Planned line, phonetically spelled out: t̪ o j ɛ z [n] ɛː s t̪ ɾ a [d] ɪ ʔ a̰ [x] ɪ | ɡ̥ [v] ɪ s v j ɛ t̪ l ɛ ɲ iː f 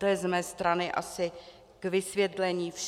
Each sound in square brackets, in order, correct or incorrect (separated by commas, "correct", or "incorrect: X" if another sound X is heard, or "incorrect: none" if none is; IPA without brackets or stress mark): incorrect: m, incorrect: n, incorrect: s, correct